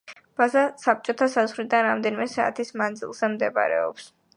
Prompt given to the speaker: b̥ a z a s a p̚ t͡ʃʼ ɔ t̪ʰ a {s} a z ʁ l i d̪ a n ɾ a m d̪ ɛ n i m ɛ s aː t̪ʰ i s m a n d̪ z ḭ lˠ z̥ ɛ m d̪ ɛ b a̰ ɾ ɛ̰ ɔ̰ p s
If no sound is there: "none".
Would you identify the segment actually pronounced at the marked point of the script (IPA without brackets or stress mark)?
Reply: s